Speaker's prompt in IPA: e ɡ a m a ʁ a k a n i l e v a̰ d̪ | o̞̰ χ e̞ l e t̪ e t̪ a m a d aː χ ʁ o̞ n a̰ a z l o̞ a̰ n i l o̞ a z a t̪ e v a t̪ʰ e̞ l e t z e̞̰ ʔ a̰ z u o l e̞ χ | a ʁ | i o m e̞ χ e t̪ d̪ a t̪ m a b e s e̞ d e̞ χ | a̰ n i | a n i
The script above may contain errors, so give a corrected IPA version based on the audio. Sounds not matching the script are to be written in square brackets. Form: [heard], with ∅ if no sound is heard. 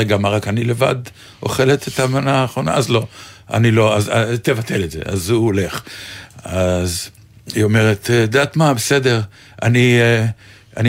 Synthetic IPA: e ɡ a m a ʁ a k a n i l e v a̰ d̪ | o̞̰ χ e̞ l e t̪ e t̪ a m a [n] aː χ ʁ o̞ n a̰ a z l o̞ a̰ n i l o̞ a z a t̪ e v a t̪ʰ e̞ l e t z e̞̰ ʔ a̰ z u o l e̞ χ | a [z] | i o m e̞ [ʁ] e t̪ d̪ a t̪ m a b e s e̞ d e̞ [ʁ] | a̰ n i | a n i